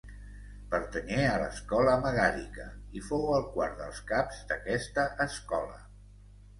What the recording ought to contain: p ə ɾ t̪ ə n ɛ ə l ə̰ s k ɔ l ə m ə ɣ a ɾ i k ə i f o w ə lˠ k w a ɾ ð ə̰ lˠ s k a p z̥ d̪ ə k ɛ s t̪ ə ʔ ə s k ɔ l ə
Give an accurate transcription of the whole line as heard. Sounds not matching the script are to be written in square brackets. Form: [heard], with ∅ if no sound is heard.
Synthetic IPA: p ə ɾ t̪ ə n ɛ ə l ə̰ s k ɔ l ə m ə ɣ a ɾ i k ə i f o w ə lˠ k w a ɾ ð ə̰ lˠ s k a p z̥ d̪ ə k ɛ s t̪ ə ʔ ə s k ɔ l ə